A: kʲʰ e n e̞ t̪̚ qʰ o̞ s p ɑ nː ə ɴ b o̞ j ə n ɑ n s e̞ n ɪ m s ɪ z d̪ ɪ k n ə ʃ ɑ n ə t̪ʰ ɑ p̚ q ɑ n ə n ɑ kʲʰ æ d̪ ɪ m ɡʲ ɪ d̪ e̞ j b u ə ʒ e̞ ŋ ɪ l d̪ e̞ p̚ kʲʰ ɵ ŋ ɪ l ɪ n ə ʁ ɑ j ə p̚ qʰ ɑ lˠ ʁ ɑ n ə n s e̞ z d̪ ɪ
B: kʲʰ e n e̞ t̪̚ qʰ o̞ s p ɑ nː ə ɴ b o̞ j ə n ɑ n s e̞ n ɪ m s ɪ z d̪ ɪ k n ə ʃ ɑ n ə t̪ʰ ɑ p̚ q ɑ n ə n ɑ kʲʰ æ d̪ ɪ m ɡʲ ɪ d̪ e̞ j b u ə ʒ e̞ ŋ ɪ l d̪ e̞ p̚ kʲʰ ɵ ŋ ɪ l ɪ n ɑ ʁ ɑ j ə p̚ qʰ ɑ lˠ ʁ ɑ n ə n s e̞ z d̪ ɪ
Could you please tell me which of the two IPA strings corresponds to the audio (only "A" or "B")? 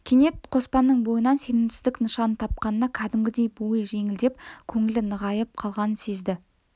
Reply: A